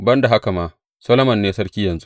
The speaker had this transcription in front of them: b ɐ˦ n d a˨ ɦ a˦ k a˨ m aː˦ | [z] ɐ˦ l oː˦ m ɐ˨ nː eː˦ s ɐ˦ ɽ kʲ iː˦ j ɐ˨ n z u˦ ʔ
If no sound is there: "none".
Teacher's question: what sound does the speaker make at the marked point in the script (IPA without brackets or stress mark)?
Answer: s